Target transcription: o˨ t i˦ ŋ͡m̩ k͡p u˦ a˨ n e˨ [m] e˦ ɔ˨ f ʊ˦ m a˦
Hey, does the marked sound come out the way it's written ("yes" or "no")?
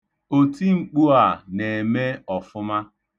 yes